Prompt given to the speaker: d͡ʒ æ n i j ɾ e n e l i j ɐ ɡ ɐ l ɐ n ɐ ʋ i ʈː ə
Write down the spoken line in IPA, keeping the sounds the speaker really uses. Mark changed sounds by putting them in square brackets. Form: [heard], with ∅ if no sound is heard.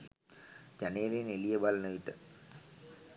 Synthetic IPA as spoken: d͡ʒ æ n [e] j [l] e n e l i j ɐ [b] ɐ l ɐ n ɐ ʋ i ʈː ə